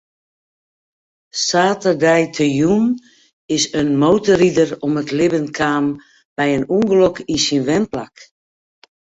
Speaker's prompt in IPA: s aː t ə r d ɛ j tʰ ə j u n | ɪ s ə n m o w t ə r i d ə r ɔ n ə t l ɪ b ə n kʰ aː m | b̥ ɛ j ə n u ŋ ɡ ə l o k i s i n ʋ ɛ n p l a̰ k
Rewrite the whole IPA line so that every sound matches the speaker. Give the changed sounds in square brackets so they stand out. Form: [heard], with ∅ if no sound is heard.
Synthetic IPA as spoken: s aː t ə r d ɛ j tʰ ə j u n | ɪ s ə n m o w t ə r i d ə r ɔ [m] ə t l ɪ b ə n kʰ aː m | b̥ ɛ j ə n u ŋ ɡ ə l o k i s i n ʋ ɛ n p l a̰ k